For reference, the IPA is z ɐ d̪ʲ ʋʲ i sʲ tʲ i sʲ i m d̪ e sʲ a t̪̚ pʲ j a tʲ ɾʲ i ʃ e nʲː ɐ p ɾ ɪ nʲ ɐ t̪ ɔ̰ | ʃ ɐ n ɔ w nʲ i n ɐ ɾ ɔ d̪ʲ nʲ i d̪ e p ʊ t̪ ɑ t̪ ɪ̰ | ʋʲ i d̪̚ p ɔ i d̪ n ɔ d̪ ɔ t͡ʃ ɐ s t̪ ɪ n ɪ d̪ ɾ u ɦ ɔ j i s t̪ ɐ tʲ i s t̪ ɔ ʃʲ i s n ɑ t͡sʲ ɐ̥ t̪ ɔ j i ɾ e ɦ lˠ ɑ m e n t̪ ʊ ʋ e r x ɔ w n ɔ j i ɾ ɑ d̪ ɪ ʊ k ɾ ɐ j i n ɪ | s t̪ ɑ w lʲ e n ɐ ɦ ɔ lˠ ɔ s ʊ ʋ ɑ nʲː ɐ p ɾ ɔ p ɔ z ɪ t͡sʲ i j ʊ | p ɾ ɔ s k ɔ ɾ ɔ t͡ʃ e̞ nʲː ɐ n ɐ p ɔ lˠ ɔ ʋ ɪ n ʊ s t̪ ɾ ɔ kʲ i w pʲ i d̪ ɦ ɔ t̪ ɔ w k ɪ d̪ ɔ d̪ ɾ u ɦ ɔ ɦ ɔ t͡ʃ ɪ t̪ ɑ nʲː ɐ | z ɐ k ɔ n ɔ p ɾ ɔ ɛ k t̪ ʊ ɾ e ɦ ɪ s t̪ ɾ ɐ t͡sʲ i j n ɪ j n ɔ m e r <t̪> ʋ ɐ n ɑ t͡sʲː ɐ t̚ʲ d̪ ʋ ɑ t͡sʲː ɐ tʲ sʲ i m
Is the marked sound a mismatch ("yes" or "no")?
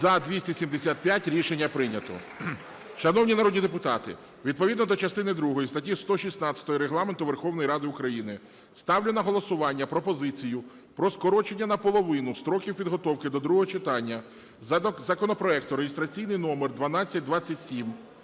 yes